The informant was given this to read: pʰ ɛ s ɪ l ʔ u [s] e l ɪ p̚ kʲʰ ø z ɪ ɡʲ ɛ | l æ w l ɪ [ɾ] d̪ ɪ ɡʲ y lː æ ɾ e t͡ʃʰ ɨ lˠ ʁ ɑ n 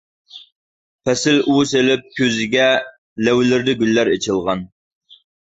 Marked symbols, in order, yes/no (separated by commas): yes, yes